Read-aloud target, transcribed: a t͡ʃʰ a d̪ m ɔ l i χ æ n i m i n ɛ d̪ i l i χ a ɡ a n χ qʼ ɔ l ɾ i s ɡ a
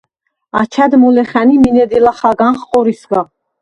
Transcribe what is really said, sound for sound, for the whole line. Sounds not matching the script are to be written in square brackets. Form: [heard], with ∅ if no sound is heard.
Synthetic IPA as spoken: a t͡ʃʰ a d̪ m ɔ l [ɛ] χ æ n i m i n ɛ d̪ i l [a] χ a ɡ a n χ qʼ ɔ [∅] ɾ i s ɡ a